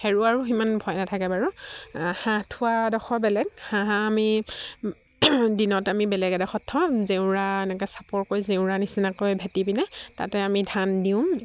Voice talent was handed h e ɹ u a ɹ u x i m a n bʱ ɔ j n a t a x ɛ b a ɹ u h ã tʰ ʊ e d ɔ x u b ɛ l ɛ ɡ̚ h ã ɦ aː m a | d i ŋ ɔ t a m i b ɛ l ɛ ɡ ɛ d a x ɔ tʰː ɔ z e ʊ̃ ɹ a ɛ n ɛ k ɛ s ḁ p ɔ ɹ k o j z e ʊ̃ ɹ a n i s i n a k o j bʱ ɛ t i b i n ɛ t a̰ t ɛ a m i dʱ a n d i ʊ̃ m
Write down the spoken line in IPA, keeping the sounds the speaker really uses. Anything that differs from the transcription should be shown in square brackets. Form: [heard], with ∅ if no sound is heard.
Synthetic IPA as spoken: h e ɹ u a ɹ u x i m a n bʱ ɔ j n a [tʰ] a [k] ɛ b a ɹ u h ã tʰ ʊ [a] d ɔ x [ɔ] b ɛ l ɛ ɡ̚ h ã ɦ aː m [i] | d i [n] ɔ t a m i b ɛ l ɛ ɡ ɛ d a x ɔ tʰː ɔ z e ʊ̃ ɹ a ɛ n ɛ k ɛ s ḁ p ɔ ɹ k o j z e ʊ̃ ɹ a n i s i n a k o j bʱ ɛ t i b i n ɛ t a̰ t ɛ a m i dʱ a n d i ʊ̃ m